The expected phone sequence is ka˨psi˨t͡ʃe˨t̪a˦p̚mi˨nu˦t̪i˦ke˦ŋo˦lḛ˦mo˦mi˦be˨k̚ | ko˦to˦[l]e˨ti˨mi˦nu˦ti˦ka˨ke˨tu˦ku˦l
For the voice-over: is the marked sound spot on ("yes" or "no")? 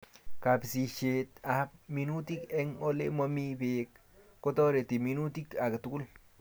no